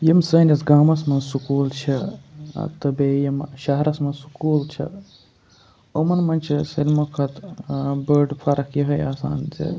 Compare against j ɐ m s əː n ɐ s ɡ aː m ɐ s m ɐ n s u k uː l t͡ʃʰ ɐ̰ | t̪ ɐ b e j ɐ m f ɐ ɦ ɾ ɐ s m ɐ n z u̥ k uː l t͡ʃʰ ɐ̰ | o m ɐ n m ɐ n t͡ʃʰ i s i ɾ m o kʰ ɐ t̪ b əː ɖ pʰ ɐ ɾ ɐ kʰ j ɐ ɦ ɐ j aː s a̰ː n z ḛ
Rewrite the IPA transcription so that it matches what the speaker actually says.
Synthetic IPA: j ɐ m s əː n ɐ s ɡ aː m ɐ s m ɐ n s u k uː l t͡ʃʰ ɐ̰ | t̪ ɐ b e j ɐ m ʃ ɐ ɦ ɾ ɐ s m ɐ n s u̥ k uː l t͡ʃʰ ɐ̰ | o m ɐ n m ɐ n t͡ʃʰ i s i l m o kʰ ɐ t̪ b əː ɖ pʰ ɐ ɾ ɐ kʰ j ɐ ɦ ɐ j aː s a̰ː n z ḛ